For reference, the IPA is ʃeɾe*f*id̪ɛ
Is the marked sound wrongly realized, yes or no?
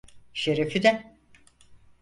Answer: no